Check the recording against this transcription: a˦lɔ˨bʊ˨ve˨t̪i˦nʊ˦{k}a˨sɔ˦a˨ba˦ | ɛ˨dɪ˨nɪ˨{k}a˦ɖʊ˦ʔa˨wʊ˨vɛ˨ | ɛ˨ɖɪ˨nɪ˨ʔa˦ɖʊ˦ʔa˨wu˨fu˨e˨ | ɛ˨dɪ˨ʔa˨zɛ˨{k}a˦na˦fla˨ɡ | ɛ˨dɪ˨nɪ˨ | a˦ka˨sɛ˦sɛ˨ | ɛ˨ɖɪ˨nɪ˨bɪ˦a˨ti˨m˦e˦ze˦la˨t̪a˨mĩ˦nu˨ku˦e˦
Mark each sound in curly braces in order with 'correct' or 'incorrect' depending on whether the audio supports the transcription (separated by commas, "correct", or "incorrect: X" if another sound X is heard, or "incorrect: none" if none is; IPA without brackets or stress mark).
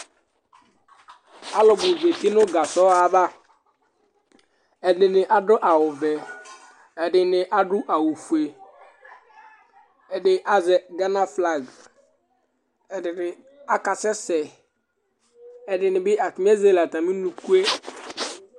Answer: incorrect: ɡ, incorrect: ʔ, incorrect: ɡ